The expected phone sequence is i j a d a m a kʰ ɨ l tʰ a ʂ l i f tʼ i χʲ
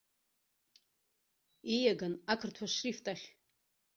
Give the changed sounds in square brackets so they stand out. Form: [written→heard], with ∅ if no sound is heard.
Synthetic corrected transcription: i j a [d→ɡ] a [m→n] a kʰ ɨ [l→r] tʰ a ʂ [l→r] i f tʼ [i→a] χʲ